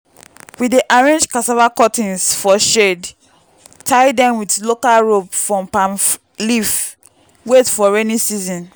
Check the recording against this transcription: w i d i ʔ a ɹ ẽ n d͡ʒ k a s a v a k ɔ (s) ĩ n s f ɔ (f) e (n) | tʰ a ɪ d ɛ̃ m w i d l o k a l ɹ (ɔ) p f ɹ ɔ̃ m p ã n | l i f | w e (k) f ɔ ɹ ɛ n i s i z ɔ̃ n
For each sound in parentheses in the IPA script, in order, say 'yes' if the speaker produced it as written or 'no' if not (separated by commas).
no, no, no, no, no